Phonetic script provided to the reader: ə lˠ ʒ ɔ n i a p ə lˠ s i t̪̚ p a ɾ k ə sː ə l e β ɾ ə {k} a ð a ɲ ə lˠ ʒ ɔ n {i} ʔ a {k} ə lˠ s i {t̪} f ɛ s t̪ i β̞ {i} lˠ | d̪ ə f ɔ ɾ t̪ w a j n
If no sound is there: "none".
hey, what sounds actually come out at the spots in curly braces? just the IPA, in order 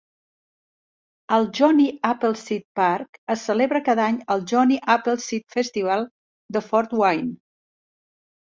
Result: k, i, p, t̪, a

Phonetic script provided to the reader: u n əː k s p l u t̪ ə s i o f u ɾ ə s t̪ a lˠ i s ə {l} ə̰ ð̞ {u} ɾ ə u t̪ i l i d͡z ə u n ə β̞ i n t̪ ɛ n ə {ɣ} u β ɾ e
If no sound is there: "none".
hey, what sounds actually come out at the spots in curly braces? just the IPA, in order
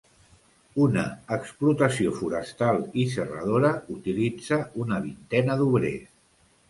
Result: r, o, ð

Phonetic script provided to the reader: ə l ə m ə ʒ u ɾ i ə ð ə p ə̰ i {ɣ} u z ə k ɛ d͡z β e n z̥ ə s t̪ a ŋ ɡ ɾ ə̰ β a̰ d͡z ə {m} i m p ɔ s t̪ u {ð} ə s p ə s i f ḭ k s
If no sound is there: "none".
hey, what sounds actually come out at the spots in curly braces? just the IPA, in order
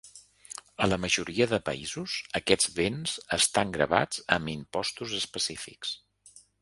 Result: z, m, z

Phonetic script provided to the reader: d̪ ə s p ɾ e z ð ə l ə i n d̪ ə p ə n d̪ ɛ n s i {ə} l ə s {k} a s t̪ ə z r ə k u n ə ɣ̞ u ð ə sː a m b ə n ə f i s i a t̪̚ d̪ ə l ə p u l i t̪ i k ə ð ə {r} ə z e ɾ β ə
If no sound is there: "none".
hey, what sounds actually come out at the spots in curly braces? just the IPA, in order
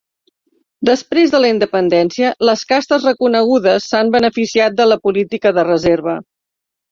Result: ə, k, r

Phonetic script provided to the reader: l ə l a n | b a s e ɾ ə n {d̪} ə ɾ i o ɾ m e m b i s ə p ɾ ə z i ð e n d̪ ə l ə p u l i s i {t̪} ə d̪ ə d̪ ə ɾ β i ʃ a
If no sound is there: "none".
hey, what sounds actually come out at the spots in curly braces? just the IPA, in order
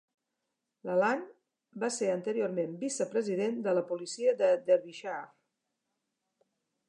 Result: t̪, none

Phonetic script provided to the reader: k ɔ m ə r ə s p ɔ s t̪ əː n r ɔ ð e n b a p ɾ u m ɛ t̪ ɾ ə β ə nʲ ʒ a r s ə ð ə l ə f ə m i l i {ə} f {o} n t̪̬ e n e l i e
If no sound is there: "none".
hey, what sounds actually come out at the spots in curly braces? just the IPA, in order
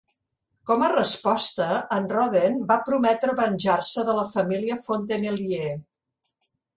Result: ə, o

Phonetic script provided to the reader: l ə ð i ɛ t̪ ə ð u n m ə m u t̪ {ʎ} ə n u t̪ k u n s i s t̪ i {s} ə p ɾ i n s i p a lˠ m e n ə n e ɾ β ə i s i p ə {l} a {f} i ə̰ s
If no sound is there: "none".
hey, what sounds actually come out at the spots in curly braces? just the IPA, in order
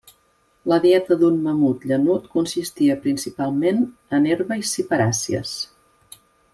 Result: ʎ, none, ɾ, s

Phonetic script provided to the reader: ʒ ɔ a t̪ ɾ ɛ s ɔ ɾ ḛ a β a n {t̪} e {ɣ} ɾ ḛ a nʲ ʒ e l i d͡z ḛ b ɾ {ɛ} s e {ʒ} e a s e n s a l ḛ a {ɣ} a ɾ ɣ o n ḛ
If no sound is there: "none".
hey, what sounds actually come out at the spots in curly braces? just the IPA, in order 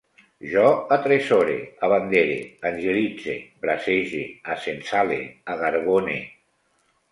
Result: d̪, none, a, ʒ, ɣ

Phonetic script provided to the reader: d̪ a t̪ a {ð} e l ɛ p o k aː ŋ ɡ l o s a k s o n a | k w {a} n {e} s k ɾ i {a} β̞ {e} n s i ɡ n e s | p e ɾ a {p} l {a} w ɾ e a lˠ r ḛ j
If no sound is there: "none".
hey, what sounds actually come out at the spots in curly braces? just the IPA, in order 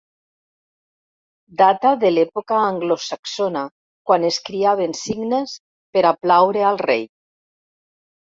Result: ð, a, e, a, e, p, a

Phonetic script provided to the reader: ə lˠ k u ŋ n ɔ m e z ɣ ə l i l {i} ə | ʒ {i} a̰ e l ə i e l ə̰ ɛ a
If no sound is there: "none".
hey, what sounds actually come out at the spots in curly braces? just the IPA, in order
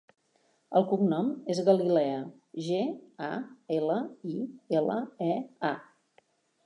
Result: ɛ, e

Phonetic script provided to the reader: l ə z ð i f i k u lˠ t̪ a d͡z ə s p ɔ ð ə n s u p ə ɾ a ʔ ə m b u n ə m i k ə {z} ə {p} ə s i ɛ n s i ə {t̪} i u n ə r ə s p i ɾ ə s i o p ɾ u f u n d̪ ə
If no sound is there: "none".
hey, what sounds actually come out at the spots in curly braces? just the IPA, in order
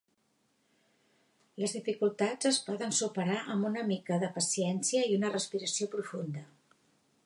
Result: ð, p, none

